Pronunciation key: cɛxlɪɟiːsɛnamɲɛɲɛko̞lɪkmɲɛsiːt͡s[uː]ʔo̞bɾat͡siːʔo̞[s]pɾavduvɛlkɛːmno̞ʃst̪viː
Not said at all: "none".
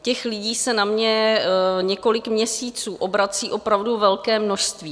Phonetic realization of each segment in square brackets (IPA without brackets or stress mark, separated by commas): uː, none